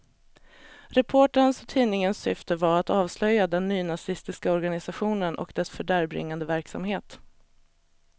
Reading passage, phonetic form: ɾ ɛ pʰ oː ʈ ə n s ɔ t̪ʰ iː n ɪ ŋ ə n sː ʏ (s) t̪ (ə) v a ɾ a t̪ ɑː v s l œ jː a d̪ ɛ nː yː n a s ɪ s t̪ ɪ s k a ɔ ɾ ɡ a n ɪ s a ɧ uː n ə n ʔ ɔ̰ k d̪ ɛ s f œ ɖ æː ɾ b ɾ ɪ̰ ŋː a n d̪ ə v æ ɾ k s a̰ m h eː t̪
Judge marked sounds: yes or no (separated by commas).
no, yes